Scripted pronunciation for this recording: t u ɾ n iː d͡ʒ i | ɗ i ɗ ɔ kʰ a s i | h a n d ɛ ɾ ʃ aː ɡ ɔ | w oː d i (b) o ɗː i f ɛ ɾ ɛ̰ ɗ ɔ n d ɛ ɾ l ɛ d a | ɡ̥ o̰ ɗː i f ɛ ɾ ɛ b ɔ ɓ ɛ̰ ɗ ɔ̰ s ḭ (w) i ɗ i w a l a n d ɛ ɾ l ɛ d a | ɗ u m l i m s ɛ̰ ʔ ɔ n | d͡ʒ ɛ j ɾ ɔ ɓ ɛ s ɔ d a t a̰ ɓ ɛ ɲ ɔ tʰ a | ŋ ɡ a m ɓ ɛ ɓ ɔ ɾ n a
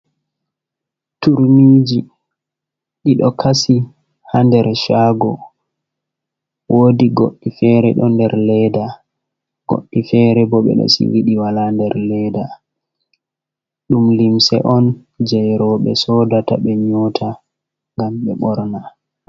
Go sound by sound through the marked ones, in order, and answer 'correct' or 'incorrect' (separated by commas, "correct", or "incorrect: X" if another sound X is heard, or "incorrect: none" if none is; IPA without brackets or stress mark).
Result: incorrect: ɡ, correct